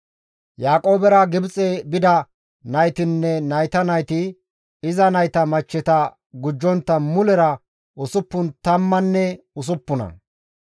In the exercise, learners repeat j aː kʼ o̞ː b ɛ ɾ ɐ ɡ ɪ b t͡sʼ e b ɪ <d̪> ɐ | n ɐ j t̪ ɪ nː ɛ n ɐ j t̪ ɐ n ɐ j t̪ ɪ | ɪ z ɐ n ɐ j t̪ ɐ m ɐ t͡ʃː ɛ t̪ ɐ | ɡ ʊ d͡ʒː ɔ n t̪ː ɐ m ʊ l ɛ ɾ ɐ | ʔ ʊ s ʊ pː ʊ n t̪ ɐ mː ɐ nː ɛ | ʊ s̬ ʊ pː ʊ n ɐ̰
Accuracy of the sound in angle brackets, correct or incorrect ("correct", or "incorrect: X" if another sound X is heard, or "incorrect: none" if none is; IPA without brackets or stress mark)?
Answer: correct